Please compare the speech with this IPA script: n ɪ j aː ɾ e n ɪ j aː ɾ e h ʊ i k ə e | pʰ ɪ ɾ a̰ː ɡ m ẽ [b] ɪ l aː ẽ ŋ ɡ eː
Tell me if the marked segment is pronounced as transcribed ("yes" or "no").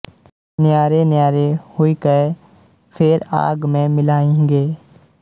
no